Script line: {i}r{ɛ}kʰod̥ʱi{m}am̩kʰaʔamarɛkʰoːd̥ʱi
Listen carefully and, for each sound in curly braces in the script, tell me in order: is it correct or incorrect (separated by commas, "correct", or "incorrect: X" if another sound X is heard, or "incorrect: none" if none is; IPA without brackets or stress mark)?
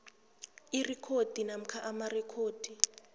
correct, incorrect: i, incorrect: n